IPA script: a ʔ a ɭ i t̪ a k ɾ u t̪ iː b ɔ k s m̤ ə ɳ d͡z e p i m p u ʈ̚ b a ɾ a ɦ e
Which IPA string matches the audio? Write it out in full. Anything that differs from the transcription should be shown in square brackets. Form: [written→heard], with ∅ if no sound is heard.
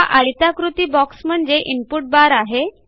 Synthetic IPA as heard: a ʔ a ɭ i t̪ a k ɾ u t̪ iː b ɔ k s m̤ ə ɳ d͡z e [p→ʔ] i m p u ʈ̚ b a ɾ a ɦ e

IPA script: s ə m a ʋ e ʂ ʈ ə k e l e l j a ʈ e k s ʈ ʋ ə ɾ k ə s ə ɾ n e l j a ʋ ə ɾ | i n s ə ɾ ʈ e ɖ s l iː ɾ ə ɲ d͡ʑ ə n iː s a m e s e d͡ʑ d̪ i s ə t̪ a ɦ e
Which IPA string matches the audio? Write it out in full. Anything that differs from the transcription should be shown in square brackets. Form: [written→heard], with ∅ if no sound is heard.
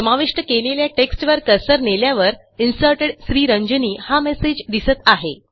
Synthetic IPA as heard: s ə m a ʋ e ʂ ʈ ə k e l e l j a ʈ e k s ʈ ʋ ə ɾ k ə s ə ɾ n e l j a ʋ ə ɾ | i n s ə ɾ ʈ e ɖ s [l→ɾ] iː ɾ ə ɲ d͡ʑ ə n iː [s→h] a m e s e d͡ʑ d̪ i s ə t̪ a ɦ e

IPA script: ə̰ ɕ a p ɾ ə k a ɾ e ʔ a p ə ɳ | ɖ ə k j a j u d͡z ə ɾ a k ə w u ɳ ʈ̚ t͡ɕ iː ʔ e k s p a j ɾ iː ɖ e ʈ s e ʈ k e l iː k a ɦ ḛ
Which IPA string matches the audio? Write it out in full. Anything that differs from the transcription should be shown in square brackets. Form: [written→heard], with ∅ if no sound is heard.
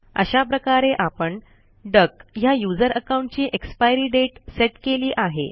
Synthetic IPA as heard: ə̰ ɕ a p ɾ ə k a ɾ e ʔ a p ə ɳ | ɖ ə k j a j u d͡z ə ɾ [a→ə] k [ə→a] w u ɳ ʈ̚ t͡ɕ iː ʔ e k s p a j ɾ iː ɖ e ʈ s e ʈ k e l iː [k→ʔ] a ɦ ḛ

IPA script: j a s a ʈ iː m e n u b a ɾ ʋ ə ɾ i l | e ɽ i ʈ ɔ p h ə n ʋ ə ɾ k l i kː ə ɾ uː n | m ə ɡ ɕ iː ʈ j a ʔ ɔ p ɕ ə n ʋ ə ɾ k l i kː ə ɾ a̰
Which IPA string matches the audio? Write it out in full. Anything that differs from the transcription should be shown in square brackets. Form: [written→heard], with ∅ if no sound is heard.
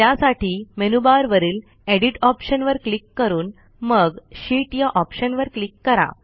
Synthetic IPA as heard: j a s a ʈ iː m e n u b a ɾ ʋ ə ɾ [i→iː] l | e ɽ i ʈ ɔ p [h→ɕ] ə n ʋ ə ɾ k l i kː ə ɾ uː n | m ə ɡ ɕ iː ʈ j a ʔ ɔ p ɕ ə n ʋ ə ɾ k l i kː ə ɾ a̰

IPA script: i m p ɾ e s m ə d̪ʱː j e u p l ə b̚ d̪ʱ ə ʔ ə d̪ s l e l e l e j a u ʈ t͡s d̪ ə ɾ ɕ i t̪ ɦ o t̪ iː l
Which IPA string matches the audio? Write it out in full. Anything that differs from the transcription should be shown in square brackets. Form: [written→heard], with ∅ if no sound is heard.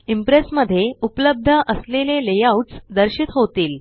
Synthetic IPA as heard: i m p ɾ e s m ə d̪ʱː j e u p l ə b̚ d̪ʱ ə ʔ ə [d̪→∅] s l e l e l e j a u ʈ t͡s d̪ ə ɾ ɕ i t̪ ɦ o t̪ iː l

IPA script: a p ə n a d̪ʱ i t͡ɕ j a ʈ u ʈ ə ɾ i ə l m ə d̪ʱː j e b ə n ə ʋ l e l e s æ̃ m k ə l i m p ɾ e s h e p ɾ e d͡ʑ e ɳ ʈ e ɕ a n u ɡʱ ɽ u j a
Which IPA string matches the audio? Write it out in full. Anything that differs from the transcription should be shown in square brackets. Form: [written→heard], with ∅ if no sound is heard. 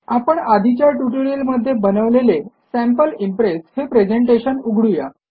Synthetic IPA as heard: a p ə [n→ɳ] a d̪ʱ i t͡ɕ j a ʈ u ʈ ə ɾ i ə l m ə d̪ʱː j e b ə n ə ʋ l e l e s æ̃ m [k→p] ə l i m p ɾ e s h e p ɾ e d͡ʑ e ɳ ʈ e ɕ [a→ə] n u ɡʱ ɽ u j a

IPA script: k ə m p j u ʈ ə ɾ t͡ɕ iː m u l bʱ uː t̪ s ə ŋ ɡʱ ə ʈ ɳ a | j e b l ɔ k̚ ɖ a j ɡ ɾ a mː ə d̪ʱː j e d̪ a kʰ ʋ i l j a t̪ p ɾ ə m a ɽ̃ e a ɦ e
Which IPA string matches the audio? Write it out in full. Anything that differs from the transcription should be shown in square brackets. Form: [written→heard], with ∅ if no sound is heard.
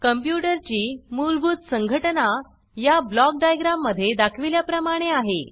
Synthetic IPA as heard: k ə m p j u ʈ ə ɾ t͡ɕ iː m u l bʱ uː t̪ s ə ŋ ɡʱ ə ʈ [ɳ→n] a | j [e→a] b l ɔ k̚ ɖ a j ɡ ɾ a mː ə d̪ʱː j e d̪ a kʰ ʋ i l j a [t̪→∅] p ɾ ə m a ɽ̃ e a ɦ e

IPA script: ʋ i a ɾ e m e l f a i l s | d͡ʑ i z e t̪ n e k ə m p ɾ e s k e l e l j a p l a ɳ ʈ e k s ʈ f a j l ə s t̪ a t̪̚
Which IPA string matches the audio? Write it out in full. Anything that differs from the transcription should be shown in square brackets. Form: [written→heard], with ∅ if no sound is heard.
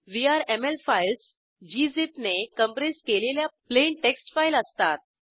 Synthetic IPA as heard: ʋ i a ɾ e m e l f a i l s | d͡ʑ i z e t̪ n e k ə m p ɾ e s k e l e l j a p l [a→e] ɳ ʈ e k s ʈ f a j l ə s t̪ a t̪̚

